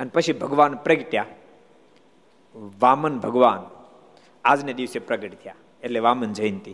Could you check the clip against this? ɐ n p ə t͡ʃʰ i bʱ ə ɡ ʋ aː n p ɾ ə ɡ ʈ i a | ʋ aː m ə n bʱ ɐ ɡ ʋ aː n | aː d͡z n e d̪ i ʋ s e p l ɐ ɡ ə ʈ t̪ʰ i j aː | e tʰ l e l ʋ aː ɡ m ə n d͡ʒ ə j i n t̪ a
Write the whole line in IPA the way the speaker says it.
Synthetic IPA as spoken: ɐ n p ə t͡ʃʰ i bʱ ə ɡ ʋ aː n p ɾ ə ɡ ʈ j a | ʋ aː m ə n bʱ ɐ ɡ ʋ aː n | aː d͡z n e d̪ i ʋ s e p ɾ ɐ ɡ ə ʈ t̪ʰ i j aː | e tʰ l e ʋ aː m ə n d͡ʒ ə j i n t̪ i